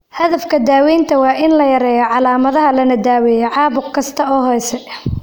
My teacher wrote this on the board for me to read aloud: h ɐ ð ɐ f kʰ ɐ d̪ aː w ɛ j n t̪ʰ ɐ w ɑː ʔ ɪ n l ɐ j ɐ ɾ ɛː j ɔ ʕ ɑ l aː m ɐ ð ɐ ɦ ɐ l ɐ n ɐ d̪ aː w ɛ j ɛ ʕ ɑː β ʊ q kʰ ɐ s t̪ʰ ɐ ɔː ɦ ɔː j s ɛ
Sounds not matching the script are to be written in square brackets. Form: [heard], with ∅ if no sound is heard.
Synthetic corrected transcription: h ɐ ð ɐ f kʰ ɐ d̪ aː w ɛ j n t̪ʰ ɐ w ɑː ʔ ɪ n l ɐ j ɐ ɾ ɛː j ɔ ʕ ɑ l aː m ɐ ð ɐ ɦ ɐ l ɐ n ɐ d̪ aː w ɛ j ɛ ʕ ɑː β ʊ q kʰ ɐ s t̪ʰ ɐ ɔː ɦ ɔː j s ɛ